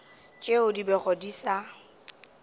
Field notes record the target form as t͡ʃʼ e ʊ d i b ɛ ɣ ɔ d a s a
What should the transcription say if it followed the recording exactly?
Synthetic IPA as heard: t͡ʃʼ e ʊ d i b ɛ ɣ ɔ d i s a

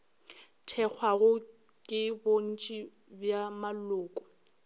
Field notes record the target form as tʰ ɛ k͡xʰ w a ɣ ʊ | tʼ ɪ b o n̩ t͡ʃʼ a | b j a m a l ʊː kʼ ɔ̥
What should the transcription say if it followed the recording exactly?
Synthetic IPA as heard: tʰ ɛ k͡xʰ w a ɣ ʊ | kʼ ɪ b o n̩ t͡ʃʼ i | b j a m a l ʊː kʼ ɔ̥

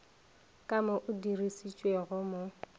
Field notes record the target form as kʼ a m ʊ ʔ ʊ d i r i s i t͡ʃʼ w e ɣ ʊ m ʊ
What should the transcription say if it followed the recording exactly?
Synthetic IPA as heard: kʼ a m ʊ ʔ ʊ d i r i s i t͡ʃʼ w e ɣ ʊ m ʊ

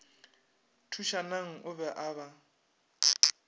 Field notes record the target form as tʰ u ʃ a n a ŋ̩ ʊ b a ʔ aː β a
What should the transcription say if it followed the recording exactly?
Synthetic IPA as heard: tʰ u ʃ a n a ŋ̩ ʊ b ɛ ʔ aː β a

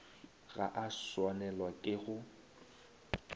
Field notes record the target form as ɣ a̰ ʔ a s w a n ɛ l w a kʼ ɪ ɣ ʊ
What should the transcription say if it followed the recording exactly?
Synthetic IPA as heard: ɣ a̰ ʔ a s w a n ɛ l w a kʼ ɪ ɣ ʊ

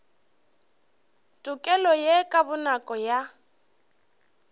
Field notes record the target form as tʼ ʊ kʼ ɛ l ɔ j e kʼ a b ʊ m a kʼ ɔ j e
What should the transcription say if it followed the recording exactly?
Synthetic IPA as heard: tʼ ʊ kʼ ɛ l ɔ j e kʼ a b ʊ n a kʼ ɔ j a

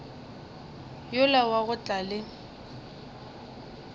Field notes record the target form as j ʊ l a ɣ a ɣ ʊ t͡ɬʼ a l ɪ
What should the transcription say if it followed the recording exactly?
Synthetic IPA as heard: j ʊ l a w a ɣ ʊ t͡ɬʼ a l ɪ

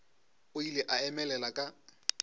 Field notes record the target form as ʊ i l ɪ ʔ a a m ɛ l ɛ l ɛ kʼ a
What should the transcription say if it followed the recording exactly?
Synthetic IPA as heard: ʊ i l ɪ ʔ a ɛ m ɛ l ɛ l a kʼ a

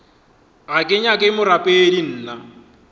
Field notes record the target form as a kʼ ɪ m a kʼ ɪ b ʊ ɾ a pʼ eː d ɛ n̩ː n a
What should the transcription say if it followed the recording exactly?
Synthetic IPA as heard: a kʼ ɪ ɲ a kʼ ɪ m ʊ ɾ a pʼ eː d i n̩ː n a

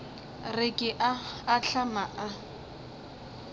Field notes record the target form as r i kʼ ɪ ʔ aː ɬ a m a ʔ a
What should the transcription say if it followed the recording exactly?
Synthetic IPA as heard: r ɪ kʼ ɪ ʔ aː ɬ a m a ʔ a

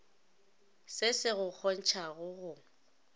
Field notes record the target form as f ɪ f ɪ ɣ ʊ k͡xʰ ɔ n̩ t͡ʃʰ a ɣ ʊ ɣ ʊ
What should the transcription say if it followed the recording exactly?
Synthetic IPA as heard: s ɪ s ɪ ɣ ʊ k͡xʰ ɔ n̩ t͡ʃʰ a ɣ ʊ ɣ ʊ

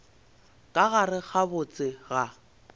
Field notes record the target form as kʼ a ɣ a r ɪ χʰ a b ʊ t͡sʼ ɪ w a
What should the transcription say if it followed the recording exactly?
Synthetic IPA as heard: kʼ a ɣ a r ɪ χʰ a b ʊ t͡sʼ ɪ ɣ a

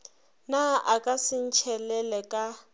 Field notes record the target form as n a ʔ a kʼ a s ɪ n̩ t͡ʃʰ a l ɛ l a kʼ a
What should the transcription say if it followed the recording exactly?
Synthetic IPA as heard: n a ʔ a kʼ a s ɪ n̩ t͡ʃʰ ɛ l ɛ l ɛ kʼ a

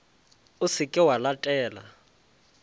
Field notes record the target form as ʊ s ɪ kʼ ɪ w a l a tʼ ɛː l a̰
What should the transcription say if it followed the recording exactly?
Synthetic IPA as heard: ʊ s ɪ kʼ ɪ w a l a tʼ ɛː l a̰

